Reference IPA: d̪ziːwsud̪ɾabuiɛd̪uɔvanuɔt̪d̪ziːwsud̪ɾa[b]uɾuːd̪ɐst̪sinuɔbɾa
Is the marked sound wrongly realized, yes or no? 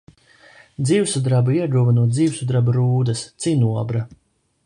no